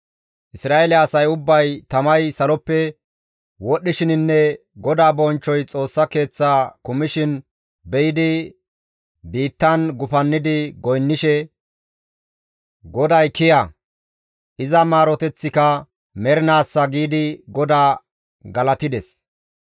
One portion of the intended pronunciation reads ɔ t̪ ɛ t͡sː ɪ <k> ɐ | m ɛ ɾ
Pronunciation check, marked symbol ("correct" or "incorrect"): correct